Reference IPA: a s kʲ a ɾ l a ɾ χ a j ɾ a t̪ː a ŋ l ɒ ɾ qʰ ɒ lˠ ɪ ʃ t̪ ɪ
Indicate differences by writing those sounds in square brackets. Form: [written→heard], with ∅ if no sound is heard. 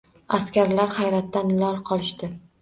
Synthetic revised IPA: a s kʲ a ɾ l a ɾ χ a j ɾ a t̪ː a [ŋ→n] l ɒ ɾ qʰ ɒ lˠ ɪ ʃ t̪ ɪ

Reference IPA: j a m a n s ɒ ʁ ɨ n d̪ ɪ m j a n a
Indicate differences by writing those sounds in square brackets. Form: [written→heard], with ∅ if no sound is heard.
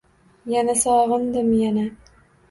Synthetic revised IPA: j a [m→n] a [n→∅] s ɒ ʁ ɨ n d̪ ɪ m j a n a

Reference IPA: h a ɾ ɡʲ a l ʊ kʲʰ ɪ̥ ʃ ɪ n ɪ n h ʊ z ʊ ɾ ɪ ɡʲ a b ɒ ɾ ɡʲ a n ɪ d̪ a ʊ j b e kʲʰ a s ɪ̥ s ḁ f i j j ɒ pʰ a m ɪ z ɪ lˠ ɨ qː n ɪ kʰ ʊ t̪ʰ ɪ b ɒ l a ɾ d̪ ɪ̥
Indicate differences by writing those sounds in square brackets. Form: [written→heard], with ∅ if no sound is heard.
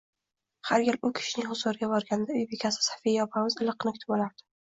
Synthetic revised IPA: h a ɾ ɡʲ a l ʊ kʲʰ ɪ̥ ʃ ɪ n ɪ [n→ŋ] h ʊ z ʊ ɾ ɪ ɡʲ a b ɒ ɾ ɡʲ a n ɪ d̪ a ʊ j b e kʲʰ a s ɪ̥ s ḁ f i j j ɒ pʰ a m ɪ z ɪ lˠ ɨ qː n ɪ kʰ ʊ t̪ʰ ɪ b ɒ l a ɾ d̪ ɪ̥

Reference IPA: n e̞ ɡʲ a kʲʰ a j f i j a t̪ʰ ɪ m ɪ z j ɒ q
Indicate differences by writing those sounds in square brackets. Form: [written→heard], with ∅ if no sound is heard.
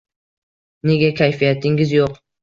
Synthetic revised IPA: n e̞ ɡʲ a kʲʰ a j f i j a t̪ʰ ɪ [m→ŋ] ɪ z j [ɒ→o] q

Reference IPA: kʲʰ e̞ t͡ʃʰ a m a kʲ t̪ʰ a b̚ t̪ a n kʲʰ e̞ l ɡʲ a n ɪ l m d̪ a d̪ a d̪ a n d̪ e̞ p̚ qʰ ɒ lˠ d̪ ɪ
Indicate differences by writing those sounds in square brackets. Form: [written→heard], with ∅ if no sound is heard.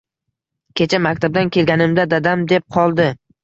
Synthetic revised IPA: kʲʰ e̞ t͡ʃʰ a m a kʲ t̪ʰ a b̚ [t̪→d̪] a n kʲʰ e̞ l ɡʲ a n ɪ [l→∅] m d̪ a d̪ a d̪ a [n→m] d̪ e̞ p̚ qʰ ɒ lˠ d̪ ɪ

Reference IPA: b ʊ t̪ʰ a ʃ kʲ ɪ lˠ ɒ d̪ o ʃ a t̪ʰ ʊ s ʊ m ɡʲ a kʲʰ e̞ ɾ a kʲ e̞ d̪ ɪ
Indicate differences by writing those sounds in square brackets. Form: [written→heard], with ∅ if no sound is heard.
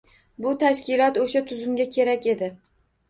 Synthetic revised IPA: b ʊ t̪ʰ a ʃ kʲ ɪ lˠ ɒ [d̪→t̪] o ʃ a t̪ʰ ʊ [s→z] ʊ m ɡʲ a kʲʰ e̞ ɾ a kʲ e̞ d̪ ɪ

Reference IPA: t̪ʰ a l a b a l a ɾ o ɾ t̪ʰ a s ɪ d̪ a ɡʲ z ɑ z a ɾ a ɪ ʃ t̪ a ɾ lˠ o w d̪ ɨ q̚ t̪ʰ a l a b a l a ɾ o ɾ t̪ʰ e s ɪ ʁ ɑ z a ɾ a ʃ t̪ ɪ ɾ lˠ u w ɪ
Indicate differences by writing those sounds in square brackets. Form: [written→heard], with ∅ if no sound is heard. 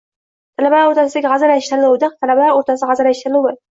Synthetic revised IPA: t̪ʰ a l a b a l a ɾ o ɾ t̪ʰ a s ɪ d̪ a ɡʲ [z→ʁ] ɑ z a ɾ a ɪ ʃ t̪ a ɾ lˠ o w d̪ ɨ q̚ t̪ʰ a l a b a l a ɾ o ɾ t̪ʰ [e→a] s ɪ ʁ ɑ z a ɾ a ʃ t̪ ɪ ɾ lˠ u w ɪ

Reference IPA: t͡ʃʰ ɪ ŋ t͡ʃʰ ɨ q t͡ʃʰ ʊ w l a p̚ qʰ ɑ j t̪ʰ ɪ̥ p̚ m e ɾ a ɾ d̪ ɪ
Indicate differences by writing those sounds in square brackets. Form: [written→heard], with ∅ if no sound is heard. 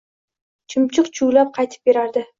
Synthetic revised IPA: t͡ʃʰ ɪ [ŋ→m] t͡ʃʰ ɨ q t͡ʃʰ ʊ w l a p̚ qʰ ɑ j t̪ʰ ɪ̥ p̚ [m→b] e ɾ a ɾ d̪ ɪ

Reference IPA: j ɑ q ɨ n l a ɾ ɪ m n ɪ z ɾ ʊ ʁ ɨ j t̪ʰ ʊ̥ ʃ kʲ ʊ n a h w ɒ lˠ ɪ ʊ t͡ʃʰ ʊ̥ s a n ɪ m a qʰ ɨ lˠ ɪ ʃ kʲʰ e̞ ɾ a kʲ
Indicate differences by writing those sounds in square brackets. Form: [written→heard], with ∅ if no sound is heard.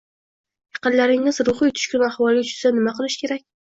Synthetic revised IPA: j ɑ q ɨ n l a ɾ ɪ [m→ŋ] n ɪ z ɾ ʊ [ʁ→χ] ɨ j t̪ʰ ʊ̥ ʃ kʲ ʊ n a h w ɒ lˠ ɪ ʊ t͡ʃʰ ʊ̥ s a n ɪ m a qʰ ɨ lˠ ɪ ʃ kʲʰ e̞ ɾ a kʲ

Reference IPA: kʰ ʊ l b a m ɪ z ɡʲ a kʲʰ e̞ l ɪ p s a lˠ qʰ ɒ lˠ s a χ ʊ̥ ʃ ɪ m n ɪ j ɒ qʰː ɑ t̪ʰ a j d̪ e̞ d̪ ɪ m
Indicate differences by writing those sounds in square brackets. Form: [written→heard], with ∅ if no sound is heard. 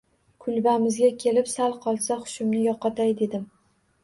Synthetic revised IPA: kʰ ʊ l b a m ɪ z ɡʲ a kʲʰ e̞ l ɪ p s a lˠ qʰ ɒ lˠ s a χ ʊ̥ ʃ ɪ m n ɪ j ɒ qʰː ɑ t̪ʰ a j d̪ e̞ d̪ ɪ m

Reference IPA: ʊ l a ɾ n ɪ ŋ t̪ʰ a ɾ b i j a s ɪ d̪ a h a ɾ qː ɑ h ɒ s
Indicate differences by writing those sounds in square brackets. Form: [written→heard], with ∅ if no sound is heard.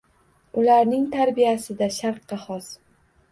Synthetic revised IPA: ʊ l a ɾ n ɪ ŋ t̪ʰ a ɾ b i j a s ɪ d̪ a [h→ʃ] a ɾ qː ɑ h ɒ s

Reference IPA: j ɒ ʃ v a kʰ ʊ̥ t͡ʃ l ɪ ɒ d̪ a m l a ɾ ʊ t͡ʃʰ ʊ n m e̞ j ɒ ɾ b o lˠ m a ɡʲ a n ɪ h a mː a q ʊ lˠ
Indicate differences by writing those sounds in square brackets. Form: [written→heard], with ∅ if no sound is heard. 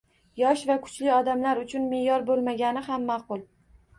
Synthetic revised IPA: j ɒ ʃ v a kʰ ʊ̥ t͡ʃ l ɪ ɒ d̪ a m l a ɾ ʊ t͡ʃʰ ʊ n m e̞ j ɒ ɾ b o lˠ m a ɡʲ a n ɪ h a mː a q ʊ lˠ

